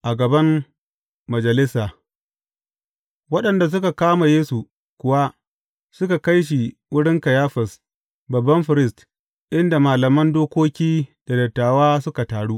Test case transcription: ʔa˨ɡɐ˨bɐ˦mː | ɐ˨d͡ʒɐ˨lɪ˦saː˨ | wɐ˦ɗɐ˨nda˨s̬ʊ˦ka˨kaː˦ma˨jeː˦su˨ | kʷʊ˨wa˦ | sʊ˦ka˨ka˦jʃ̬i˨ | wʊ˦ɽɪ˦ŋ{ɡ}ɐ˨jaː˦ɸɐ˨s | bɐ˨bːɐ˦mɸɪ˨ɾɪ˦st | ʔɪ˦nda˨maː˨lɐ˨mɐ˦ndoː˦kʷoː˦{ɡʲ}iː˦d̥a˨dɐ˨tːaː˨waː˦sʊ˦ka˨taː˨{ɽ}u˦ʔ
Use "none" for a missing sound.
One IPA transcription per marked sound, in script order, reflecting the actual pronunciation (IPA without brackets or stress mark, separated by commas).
k, kʲ, ɽ